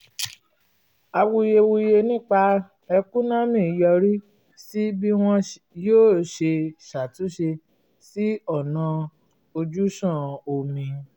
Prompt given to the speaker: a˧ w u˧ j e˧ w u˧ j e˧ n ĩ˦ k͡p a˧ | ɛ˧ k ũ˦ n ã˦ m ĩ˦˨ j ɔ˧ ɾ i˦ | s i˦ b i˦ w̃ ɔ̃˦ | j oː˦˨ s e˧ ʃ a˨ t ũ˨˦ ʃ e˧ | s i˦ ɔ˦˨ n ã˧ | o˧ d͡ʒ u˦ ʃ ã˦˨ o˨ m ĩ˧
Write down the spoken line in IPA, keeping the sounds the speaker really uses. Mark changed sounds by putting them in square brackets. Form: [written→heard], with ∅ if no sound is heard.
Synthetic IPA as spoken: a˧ w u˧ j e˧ w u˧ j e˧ n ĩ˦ k͡p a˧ | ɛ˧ k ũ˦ n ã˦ m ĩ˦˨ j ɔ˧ ɾ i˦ | s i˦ b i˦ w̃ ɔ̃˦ | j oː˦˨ [s→ʃ] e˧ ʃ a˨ t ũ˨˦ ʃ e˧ | s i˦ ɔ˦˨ n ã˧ | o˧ d͡ʒ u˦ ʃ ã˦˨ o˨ m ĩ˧

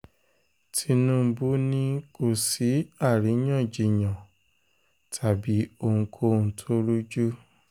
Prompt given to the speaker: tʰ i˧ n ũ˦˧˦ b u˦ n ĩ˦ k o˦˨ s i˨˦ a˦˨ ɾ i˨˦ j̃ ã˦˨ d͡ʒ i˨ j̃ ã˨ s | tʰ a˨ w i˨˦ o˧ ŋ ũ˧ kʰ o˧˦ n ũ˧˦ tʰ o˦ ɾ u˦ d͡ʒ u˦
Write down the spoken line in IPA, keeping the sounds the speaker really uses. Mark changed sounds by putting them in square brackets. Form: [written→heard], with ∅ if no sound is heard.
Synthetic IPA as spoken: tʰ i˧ n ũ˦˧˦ b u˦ n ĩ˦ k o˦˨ s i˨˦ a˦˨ ɾ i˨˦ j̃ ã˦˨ d͡ʒ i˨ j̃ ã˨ [s→∅] | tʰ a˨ [w→b] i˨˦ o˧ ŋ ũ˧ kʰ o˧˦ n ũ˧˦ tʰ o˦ ɾ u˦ d͡ʒ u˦

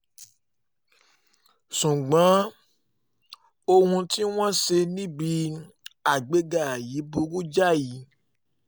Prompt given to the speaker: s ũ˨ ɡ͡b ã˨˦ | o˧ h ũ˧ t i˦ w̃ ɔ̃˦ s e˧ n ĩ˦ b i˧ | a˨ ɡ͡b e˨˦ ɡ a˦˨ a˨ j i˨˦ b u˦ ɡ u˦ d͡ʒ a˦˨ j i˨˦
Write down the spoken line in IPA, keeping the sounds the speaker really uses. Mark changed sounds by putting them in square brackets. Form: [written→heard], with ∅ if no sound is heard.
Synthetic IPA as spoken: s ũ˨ ɡ͡b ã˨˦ | o˧ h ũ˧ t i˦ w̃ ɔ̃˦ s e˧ n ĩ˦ b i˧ | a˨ ɡ͡b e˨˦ ɡ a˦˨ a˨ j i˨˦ b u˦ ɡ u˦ d͡ʒ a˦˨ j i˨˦

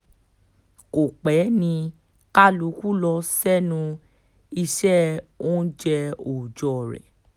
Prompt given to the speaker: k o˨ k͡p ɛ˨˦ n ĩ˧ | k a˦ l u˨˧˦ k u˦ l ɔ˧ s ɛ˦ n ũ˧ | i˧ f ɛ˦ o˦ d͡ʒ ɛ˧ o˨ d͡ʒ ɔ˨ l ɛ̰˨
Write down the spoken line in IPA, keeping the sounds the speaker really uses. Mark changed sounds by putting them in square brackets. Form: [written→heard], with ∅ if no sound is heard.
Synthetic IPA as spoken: k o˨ k͡p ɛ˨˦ n ĩ˧ | k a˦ l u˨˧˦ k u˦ l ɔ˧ s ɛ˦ n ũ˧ | i˧ [f→ʃ] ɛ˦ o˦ d͡ʒ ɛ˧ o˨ d͡ʒ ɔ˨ [l→ɾ] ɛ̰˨

